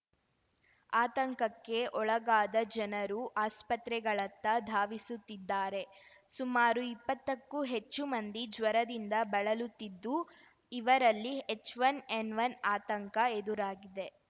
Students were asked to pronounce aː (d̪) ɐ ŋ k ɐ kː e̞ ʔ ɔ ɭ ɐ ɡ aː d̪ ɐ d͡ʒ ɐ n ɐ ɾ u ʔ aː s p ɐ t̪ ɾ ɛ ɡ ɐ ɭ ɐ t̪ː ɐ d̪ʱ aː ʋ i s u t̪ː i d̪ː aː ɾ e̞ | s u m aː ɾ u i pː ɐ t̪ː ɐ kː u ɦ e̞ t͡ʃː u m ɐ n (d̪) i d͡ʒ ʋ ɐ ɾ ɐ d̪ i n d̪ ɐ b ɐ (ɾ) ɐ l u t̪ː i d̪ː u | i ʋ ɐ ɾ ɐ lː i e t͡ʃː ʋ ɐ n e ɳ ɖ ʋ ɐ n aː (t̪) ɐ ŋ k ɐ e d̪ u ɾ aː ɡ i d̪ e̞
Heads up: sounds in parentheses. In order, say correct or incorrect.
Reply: incorrect: t̪, correct, incorrect: ɭ, correct

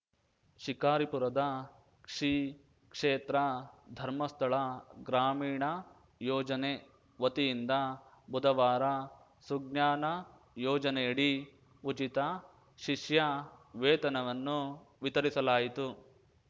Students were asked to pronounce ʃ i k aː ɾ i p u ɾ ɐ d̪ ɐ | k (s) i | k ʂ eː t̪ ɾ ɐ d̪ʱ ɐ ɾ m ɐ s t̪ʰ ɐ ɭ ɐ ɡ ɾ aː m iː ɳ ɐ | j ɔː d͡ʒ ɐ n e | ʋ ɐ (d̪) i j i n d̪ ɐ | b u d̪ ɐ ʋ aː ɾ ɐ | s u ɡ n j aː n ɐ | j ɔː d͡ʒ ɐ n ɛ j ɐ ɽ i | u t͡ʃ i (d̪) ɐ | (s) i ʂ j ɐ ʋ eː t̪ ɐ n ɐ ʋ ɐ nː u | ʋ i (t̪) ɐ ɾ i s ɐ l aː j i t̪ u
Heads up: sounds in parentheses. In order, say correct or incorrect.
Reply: incorrect: ʂ, incorrect: t̪, incorrect: t̪, incorrect: ʃ, correct

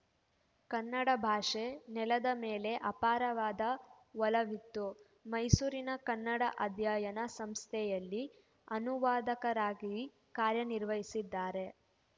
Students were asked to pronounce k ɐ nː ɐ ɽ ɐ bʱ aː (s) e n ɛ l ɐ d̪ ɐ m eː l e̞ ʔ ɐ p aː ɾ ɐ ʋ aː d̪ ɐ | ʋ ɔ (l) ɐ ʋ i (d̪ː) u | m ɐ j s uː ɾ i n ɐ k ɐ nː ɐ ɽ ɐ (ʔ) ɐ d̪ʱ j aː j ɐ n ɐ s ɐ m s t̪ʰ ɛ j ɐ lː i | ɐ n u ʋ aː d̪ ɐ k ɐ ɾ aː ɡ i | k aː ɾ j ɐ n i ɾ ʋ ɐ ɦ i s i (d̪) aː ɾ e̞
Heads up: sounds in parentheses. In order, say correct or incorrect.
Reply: incorrect: ʂ, correct, incorrect: t̪ː, correct, incorrect: d̪ː

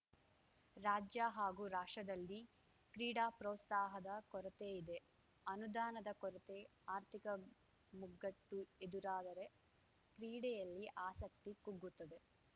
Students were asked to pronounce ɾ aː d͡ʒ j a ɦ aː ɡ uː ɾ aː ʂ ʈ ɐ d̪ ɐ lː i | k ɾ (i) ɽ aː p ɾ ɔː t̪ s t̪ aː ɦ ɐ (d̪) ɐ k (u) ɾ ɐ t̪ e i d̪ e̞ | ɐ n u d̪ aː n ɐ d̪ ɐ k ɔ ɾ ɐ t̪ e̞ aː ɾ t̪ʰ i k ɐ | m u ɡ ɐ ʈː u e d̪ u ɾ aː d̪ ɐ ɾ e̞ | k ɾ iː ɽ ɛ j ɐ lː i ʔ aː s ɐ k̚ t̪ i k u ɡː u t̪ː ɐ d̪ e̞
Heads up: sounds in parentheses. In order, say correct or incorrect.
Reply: incorrect: iː, correct, incorrect: ɔ

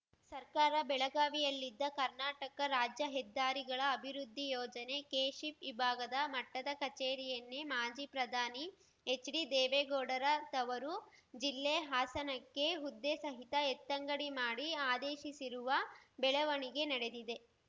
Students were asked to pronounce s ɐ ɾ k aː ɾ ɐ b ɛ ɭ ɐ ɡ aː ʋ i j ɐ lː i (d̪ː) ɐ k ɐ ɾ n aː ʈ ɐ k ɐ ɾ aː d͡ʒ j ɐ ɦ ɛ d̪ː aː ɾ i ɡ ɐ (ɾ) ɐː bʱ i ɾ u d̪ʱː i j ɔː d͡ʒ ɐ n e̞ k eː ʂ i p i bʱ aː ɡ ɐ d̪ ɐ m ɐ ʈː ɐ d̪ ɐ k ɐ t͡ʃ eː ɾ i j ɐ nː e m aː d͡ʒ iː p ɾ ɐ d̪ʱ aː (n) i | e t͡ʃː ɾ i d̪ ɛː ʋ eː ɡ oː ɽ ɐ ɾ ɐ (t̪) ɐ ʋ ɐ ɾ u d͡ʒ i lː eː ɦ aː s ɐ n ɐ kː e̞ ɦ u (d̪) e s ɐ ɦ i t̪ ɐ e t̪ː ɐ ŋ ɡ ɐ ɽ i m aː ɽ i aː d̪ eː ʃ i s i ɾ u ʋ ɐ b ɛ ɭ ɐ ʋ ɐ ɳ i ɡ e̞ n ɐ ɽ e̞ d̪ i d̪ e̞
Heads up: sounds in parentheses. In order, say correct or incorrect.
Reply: correct, incorrect: ɭ, correct, correct, incorrect: d̪ː

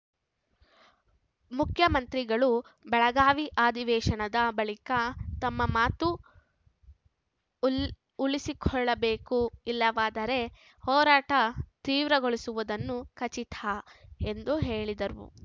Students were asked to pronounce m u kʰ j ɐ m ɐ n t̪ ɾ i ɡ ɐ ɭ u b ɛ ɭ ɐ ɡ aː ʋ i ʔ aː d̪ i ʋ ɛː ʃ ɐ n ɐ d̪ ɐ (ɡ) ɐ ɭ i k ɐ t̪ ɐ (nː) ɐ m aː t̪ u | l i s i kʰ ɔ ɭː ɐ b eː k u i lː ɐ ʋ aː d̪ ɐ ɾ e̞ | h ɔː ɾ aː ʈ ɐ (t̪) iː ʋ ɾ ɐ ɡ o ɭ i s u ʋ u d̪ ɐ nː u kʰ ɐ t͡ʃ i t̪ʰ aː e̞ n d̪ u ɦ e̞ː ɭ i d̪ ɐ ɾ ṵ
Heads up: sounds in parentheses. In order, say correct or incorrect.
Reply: incorrect: b, incorrect: mː, correct

